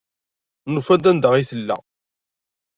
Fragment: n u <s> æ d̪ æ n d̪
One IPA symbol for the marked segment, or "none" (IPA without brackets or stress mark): f